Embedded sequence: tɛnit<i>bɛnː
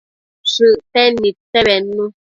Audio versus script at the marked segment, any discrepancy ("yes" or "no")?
yes